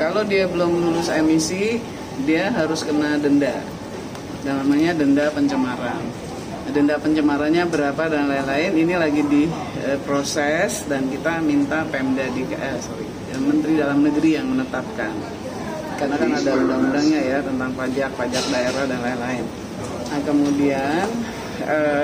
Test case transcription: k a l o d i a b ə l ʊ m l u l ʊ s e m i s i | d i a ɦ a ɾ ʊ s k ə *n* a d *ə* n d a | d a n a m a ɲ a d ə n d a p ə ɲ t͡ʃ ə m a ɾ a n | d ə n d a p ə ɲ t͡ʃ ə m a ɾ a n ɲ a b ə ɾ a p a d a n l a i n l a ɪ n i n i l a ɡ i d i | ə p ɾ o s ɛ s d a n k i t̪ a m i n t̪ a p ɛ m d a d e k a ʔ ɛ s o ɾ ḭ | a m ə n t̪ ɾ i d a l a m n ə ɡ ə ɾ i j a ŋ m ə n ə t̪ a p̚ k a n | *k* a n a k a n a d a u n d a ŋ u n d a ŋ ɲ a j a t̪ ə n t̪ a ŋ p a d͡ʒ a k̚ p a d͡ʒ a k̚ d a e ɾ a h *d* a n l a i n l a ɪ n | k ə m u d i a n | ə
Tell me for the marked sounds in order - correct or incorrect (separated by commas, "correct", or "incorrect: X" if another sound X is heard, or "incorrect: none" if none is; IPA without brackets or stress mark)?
correct, correct, correct, correct